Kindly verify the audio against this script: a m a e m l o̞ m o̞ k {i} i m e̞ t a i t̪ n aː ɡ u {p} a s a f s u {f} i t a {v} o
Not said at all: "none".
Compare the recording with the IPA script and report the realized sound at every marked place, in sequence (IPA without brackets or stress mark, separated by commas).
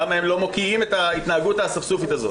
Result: i, t, f, z